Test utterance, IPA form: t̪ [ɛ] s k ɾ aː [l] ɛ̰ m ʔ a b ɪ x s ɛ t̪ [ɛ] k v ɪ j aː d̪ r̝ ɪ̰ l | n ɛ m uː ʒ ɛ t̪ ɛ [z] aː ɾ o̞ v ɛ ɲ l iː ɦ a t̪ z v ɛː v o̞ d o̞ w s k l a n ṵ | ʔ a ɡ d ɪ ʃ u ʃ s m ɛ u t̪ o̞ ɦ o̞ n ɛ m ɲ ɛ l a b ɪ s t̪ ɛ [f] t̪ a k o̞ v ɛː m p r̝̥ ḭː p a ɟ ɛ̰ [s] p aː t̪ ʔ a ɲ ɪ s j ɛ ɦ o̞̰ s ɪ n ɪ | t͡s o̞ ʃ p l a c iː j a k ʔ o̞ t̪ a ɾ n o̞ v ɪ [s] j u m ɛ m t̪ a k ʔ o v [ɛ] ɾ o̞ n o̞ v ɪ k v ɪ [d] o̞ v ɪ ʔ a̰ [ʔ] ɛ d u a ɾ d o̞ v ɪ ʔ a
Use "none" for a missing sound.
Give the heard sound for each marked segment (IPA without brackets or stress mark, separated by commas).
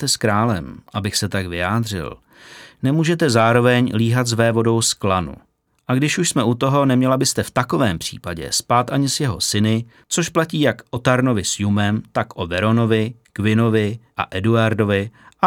ɛ, l, a, z, f, s, s, ɛ, n, ʔ